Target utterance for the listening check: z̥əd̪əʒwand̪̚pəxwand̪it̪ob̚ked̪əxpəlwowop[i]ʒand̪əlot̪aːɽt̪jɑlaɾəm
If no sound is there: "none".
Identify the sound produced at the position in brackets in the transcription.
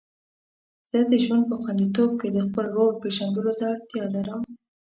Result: e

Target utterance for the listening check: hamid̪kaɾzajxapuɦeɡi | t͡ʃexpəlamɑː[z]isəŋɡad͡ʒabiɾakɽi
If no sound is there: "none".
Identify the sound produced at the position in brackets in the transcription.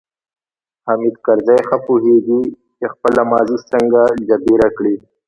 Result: z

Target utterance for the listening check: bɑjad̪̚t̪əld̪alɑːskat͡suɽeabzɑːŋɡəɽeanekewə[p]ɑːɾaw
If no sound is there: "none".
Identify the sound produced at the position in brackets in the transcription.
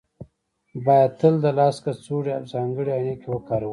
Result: k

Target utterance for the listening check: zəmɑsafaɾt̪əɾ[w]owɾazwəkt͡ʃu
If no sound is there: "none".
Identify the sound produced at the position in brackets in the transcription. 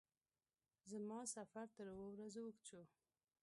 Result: w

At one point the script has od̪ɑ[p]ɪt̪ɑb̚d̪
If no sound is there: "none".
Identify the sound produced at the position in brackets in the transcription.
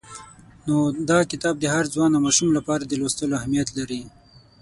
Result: k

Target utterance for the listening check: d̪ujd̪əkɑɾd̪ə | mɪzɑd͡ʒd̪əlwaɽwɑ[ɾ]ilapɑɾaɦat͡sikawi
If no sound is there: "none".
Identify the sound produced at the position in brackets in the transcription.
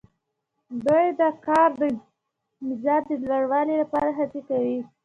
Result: l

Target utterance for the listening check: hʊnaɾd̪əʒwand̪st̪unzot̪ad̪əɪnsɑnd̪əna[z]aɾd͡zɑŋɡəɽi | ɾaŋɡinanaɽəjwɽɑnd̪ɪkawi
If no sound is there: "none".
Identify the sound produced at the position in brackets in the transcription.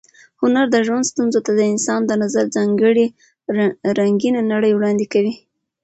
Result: z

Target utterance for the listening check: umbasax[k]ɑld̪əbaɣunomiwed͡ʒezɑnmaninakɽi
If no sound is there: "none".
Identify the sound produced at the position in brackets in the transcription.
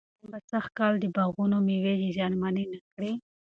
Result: k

